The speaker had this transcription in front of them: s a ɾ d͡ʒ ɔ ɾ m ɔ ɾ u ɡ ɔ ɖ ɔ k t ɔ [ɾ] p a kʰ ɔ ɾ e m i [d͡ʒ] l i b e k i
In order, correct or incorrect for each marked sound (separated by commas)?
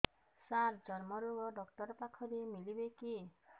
correct, incorrect